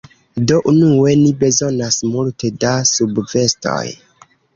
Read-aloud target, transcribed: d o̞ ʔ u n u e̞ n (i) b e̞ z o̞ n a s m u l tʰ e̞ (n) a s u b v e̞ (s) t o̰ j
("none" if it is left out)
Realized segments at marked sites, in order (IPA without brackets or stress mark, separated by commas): i, d, s